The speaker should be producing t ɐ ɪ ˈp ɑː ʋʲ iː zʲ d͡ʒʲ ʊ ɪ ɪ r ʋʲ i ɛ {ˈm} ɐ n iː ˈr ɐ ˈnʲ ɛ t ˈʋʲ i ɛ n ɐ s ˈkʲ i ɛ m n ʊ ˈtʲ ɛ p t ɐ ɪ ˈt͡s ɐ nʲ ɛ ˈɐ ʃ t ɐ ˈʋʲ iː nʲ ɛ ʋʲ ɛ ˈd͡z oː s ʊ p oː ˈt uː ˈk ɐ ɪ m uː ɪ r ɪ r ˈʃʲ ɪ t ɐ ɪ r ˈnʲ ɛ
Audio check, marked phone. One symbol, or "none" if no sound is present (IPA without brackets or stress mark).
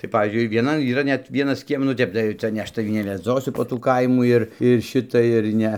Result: n